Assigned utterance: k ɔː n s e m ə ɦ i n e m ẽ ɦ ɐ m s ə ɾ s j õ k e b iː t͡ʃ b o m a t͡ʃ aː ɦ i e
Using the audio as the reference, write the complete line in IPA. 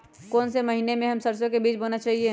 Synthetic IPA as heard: k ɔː n s e m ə ɦ i n e m ẽ ɦ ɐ m s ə ɾ s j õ k e b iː t͡ʃ b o n a t͡ʃ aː ɦ i e